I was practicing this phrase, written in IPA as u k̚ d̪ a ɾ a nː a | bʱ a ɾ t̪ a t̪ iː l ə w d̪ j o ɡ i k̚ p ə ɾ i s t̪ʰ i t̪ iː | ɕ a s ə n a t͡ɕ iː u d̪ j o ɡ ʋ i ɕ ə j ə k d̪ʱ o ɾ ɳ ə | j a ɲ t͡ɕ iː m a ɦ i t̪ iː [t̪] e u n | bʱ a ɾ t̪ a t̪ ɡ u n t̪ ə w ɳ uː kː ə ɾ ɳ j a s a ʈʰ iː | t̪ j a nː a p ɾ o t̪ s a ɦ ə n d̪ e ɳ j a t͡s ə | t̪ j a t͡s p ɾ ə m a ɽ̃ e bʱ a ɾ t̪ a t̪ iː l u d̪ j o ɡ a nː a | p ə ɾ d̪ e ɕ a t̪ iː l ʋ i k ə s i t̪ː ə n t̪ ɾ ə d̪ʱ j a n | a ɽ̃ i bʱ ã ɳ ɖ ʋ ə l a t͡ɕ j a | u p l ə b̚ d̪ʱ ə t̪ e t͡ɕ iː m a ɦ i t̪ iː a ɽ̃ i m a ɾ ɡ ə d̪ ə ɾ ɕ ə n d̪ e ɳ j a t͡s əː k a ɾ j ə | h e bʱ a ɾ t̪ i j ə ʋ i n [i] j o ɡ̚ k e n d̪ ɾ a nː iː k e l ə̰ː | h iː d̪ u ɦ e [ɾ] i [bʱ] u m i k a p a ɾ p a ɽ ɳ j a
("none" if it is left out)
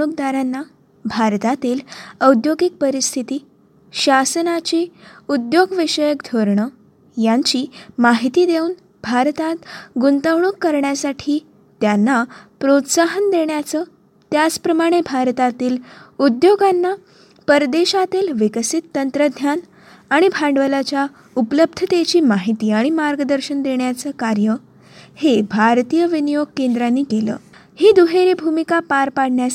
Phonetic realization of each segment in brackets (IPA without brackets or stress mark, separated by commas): d̪, i, ɾ, bʱ